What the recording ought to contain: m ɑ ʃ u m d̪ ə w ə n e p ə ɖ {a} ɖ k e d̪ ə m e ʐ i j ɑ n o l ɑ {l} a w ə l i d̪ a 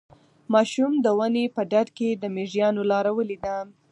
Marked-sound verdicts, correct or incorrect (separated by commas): correct, incorrect